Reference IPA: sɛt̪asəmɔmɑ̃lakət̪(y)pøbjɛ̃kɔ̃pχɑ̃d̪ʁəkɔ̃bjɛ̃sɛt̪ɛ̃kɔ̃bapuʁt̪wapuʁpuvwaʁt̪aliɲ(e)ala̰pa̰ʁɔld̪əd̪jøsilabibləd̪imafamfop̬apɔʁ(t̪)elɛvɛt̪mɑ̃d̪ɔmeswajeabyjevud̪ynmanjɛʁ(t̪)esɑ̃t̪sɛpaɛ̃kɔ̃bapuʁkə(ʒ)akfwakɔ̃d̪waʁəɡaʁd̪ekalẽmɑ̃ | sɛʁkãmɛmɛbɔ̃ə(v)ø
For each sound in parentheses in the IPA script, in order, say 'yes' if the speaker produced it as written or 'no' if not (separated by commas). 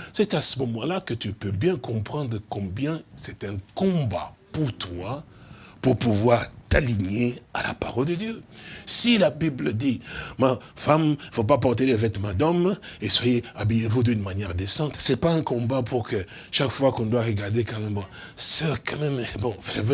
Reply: yes, yes, yes, no, no, yes